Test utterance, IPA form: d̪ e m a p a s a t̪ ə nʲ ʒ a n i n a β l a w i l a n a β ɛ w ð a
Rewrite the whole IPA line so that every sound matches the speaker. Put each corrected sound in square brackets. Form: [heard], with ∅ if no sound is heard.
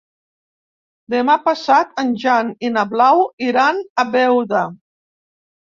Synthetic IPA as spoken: d̪ e m a p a s a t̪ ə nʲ ʒ a n i n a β l a w i [ɾ] a n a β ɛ w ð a